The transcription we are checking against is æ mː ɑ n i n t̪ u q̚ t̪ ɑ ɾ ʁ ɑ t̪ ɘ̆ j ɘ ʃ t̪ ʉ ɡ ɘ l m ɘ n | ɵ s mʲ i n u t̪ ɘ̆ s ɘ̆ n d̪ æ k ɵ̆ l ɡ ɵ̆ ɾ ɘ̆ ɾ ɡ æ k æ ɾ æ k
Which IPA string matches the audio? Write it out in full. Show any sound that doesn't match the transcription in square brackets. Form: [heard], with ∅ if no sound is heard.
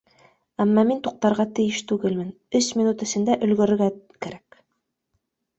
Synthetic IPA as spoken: æ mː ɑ [m] i n t̪ u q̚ t̪ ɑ ɾ ʁ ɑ t̪ ɘ̆ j ɘ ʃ t̪ ʉ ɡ ɘ l m ɘ n | ɵ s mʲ i n u t̪ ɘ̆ s ɘ̆ n d̪ æ [ʔ] ɵ̆ l ɡ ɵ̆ ɾ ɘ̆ ɾ ɡ æ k æ ɾ æ k